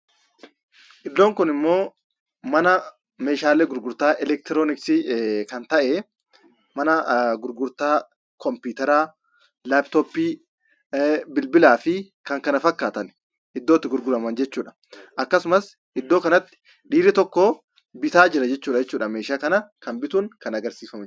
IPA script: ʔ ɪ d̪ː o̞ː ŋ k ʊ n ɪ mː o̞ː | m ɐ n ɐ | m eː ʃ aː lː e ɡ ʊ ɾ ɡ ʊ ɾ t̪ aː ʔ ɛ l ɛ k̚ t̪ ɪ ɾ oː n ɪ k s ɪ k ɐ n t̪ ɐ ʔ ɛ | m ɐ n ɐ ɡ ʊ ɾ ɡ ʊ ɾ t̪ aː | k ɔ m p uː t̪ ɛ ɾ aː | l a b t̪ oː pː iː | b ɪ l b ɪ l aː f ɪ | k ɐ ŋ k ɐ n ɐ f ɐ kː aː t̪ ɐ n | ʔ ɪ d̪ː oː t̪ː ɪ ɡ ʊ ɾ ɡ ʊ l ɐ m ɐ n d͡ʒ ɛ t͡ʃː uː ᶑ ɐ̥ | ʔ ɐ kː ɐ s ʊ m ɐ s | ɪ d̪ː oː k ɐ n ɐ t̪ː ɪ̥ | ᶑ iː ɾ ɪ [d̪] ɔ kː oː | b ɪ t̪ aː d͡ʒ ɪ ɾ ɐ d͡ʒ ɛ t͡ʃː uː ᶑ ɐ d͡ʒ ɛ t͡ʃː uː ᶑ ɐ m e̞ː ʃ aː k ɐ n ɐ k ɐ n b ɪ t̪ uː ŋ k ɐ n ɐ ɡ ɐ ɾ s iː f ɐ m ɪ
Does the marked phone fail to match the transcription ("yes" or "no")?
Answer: yes